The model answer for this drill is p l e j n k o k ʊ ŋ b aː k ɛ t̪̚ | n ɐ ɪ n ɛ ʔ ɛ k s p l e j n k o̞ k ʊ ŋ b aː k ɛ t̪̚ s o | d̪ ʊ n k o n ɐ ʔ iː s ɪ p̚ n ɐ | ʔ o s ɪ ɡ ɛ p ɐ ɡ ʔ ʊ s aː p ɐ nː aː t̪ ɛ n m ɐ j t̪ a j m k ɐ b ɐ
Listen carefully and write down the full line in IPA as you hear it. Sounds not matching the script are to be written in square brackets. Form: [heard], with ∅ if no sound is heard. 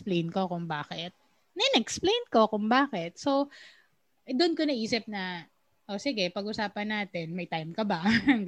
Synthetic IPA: p l e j n k o k ʊ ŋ b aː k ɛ t̪̚ | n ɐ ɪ n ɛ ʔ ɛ k s p l e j n k o̞ k ʊ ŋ b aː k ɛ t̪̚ s o | d̪ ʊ n k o n ɐ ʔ iː s ɪ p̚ n ɐ | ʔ o s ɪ ɡ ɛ p ɐ ɡ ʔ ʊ s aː p ɐ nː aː t̪ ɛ n m ɐ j t̪ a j m k ɐ b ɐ